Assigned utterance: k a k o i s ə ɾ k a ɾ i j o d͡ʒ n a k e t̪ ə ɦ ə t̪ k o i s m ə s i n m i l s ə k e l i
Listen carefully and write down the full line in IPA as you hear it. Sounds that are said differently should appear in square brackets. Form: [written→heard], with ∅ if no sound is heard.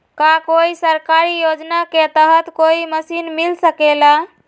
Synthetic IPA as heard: k a k o i s ə ɾ k a ɾ i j o d͡ʒ n a k e t̪ ə ɦ ə t̪ k o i [s→∅] m ə s i n m i l s ə k e l [i→a]